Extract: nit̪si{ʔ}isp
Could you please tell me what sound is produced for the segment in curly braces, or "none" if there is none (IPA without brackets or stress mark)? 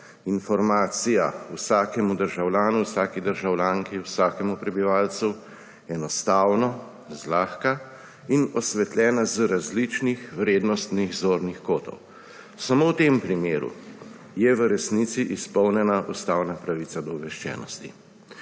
ʔ